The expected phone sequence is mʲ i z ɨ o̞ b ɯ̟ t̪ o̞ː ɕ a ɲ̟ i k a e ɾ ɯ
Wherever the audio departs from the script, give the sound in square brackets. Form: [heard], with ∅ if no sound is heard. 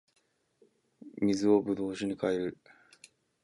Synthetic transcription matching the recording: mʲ i z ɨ o̞ b ɯ̟ [d̪] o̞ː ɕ [i] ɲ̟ i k a e ɾ ɯ